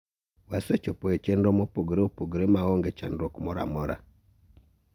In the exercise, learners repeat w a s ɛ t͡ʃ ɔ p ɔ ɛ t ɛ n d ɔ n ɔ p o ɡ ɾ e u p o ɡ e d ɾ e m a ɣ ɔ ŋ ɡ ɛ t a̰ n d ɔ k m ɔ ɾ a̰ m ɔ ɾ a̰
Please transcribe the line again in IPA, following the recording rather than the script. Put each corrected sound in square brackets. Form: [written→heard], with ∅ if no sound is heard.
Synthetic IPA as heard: w a s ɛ t͡ʃ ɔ p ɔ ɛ [t→t͡ʃ] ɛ n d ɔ [n→m] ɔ p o ɡ ɾ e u p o ɡ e [d→∅] ɾ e m a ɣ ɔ ŋ ɡ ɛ [t→t͡ʃ] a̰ n d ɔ k m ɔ ɾ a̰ m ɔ ɾ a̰